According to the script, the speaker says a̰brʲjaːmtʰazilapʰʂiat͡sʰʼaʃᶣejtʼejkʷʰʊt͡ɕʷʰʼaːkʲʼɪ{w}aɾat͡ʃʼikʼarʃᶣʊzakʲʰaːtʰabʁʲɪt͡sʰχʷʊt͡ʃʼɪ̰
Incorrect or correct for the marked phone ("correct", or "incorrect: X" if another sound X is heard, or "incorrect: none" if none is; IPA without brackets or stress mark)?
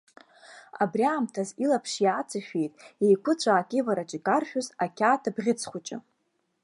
incorrect: v